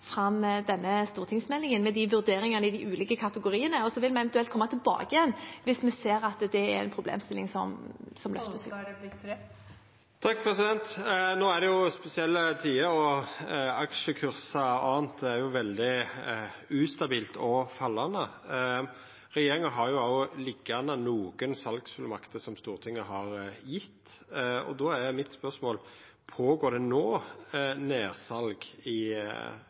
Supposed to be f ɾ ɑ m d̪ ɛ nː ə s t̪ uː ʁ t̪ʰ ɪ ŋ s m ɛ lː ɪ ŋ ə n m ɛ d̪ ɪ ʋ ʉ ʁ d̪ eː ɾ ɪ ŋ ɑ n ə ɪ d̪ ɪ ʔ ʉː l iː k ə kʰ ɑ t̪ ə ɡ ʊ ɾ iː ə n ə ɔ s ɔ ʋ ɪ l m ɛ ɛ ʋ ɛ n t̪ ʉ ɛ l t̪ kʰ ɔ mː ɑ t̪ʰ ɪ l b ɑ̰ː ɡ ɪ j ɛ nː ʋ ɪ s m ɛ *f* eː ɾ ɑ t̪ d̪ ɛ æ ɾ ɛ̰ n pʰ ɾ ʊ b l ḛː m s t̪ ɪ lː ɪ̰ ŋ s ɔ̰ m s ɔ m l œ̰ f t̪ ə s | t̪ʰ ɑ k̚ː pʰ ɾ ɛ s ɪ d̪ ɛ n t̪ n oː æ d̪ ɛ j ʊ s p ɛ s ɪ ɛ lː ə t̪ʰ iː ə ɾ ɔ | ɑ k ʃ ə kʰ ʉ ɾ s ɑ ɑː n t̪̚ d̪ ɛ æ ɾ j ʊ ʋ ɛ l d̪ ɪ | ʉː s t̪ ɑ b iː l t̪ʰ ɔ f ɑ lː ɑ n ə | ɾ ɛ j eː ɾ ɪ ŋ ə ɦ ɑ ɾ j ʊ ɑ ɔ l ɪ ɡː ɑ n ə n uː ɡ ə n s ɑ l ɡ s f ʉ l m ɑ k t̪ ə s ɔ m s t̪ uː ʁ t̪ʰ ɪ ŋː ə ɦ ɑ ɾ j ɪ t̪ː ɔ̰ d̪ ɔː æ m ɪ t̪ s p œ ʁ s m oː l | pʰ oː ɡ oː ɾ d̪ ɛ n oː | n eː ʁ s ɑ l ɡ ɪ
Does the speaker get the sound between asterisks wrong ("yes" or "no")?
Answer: yes